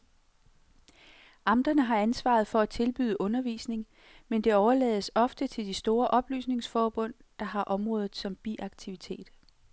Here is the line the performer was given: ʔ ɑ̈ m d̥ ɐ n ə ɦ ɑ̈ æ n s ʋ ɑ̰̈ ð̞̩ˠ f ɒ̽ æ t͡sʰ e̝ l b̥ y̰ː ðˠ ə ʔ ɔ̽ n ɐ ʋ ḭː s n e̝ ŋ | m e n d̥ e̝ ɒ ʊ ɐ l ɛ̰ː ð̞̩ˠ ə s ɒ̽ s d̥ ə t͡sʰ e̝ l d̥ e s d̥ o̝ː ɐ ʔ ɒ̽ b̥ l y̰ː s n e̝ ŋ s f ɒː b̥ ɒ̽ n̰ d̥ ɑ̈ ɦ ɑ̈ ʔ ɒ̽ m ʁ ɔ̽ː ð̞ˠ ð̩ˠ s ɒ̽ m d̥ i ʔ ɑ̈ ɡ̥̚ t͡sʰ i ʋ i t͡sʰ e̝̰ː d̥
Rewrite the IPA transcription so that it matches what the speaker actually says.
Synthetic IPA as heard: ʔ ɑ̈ m d̥ ɐ n ə ɦ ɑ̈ æ n s ʋ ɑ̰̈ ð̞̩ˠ f ɒ̽ æ t͡sʰ e̝ l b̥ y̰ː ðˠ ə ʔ ɔ̽ n ɐ ʋ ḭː s n e̝ ŋ | m e n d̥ e̝ ɒ ʊ ɐ l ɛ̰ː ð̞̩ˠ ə s ɒ̽ f d̥ ə t͡sʰ e̝ l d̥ i s d̥ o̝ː ɐ ʔ ɒ̽ b̥ l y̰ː s n e̝ ŋ s f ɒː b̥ ɔ̽ n̰ d̥ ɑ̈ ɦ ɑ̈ ʔ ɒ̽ m ʁ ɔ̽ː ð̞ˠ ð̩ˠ s ɒ̽ m b̥ i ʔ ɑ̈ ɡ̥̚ t͡sʰ i ʋ i t͡sʰ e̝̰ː d̥